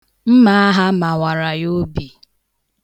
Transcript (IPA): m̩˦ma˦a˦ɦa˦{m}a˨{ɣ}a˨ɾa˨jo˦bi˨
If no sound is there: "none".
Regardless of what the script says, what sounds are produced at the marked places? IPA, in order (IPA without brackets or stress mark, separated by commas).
m, w